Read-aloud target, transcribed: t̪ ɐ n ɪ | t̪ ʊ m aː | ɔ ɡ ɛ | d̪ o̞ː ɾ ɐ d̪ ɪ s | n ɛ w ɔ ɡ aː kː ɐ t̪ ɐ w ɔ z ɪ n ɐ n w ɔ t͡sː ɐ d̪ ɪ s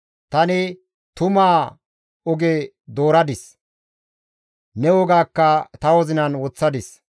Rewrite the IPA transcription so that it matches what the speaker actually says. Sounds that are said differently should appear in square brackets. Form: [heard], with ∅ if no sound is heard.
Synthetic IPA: t̪ ɐ n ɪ | t̪ ʊ m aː | ɔ ɡ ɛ | d̪ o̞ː ɾ ɐ d̪ ɪ s | n ɛ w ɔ ɡ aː kː ɐ t̪ ɐ w ɔ z ɪ n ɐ n w ɔ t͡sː ɐ d̪ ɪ s